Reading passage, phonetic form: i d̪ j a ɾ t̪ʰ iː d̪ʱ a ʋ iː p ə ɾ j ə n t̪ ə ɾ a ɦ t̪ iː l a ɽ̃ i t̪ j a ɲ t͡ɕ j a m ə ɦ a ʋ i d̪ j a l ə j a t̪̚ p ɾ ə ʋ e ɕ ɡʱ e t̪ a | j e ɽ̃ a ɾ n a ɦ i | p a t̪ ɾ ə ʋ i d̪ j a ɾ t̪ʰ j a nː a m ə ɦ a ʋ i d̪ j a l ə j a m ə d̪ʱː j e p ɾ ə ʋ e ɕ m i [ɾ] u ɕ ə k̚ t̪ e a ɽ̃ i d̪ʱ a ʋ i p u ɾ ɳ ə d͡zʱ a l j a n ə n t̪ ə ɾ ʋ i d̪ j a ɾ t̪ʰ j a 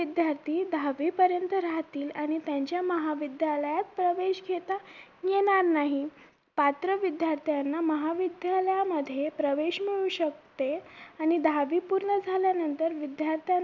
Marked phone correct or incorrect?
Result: incorrect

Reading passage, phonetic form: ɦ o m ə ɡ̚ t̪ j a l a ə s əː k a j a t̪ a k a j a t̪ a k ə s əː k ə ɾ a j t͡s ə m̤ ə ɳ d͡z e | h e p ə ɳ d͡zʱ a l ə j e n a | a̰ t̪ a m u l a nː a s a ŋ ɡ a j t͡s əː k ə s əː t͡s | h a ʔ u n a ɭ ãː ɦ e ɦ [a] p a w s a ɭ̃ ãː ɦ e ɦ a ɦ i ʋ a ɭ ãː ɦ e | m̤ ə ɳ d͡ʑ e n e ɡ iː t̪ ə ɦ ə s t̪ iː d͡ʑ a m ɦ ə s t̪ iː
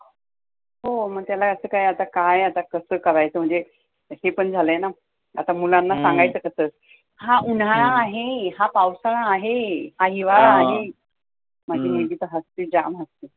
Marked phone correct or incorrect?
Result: correct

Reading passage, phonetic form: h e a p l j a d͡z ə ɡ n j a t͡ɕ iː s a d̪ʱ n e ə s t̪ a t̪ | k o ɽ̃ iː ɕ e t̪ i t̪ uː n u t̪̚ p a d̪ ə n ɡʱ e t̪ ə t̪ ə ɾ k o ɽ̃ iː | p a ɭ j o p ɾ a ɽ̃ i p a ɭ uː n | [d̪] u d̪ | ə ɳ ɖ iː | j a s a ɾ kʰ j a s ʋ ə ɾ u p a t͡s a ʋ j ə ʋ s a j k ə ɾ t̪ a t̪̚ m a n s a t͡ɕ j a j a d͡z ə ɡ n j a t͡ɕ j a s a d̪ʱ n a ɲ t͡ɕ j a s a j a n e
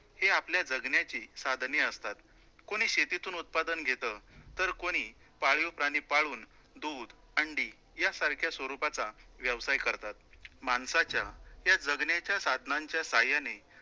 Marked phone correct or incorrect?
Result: correct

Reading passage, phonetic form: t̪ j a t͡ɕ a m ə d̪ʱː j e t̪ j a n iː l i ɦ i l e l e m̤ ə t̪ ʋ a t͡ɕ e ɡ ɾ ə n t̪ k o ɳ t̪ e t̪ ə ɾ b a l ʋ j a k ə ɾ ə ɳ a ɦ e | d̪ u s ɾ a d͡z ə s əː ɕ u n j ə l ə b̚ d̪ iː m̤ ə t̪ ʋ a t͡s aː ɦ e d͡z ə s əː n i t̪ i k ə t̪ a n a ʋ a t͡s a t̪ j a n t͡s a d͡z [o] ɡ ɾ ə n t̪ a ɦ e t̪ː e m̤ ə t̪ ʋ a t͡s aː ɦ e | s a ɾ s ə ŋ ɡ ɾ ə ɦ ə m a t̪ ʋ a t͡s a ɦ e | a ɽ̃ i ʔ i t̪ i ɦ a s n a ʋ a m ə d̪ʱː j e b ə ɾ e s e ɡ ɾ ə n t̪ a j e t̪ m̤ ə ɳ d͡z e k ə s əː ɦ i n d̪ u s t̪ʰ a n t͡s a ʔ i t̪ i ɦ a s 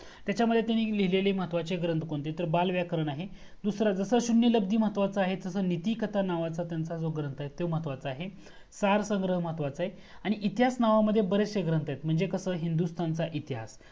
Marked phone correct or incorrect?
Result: correct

